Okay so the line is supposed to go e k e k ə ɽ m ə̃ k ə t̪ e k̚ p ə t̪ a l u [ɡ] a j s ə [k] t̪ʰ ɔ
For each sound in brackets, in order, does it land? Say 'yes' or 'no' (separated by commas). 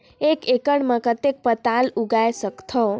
yes, yes